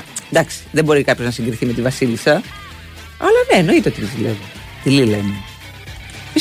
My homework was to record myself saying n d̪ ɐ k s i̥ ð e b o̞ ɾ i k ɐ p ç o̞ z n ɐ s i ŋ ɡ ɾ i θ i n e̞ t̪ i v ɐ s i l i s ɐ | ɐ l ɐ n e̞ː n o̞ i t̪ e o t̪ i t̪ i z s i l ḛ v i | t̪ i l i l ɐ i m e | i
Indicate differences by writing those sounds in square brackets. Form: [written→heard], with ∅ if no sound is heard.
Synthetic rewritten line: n d̪ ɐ k s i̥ ð e b o̞ ɾ i k ɐ p ç o̞ z n ɐ s i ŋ ɡ ɾ i θ i [n→m] e̞ t̪ i v ɐ s i l i s ɐ | ɐ l ɐ n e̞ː n o̞ i t̪ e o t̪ i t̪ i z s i l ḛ v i | t̪ i l i l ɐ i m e | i